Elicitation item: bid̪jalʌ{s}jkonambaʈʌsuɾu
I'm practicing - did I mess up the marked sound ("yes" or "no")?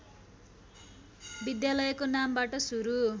yes